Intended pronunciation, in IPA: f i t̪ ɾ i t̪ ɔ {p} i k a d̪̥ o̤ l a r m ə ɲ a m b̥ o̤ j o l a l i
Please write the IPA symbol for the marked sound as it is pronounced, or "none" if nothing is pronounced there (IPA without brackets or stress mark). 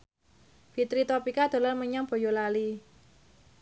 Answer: p